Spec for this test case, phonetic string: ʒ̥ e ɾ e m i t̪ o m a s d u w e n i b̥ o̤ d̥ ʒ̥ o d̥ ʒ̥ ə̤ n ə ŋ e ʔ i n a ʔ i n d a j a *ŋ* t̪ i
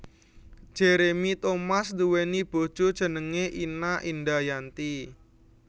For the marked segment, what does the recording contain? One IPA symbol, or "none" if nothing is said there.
n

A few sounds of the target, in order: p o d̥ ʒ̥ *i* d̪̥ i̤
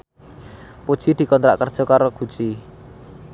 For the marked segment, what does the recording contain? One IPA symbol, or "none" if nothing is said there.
i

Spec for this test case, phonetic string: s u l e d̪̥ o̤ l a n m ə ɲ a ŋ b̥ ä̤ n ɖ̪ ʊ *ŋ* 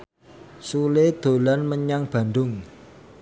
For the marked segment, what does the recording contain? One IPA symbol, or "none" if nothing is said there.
ŋ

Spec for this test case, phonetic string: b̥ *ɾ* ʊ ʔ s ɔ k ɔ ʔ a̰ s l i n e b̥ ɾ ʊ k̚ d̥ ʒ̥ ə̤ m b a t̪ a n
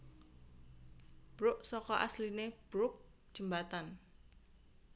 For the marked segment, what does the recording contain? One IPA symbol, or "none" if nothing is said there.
ɾ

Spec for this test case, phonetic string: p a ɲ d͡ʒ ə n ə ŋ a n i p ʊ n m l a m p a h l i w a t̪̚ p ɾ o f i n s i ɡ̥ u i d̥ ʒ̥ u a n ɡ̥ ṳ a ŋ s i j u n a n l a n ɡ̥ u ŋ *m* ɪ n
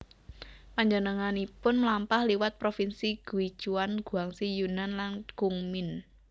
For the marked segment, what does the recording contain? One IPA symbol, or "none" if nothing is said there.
m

